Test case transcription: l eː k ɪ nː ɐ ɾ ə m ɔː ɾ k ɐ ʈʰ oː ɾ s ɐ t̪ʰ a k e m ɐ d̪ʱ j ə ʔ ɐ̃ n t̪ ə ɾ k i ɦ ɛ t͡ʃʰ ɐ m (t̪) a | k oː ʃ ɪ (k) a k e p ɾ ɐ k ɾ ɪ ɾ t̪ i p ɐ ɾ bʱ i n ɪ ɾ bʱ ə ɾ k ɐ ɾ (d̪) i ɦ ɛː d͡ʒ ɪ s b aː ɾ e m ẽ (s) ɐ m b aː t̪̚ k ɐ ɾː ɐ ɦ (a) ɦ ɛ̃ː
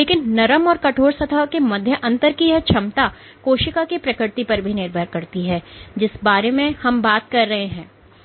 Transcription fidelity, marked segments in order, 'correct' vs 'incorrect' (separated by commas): correct, correct, incorrect, incorrect, incorrect